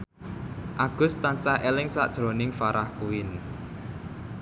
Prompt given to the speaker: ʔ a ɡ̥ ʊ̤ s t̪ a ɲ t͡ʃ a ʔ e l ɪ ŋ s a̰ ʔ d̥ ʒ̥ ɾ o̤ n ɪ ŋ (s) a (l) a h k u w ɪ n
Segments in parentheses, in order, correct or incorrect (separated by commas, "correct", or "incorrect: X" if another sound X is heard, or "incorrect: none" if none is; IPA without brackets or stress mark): incorrect: f, incorrect: ɾ